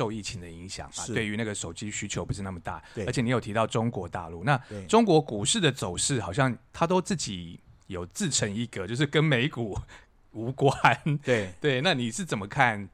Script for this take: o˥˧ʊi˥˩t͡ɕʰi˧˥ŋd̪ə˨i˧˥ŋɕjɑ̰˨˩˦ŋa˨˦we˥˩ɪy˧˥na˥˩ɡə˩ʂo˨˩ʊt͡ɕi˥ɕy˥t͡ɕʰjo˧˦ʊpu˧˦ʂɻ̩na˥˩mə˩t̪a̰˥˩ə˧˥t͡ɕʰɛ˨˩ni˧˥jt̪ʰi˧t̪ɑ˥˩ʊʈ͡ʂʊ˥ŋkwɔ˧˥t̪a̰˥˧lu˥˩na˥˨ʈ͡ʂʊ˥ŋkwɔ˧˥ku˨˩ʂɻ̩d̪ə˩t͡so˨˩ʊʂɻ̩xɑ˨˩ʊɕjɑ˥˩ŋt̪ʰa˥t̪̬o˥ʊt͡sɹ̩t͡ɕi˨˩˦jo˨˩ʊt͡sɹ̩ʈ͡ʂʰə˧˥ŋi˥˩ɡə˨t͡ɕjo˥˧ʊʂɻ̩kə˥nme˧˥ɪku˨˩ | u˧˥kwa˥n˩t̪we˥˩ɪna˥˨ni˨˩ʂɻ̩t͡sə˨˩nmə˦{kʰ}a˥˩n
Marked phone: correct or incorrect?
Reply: correct